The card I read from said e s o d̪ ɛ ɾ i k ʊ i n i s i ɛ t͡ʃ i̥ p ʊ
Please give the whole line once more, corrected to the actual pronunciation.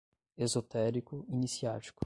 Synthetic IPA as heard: e z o t̪ ɛ ɾ i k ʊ i n i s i a t͡ʃ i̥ k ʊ